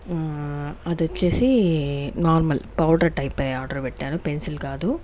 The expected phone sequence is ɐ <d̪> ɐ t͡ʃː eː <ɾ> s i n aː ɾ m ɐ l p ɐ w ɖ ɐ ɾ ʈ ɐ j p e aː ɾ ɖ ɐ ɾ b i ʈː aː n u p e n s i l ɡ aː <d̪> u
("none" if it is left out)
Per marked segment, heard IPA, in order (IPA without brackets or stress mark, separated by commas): d̪, none, d̪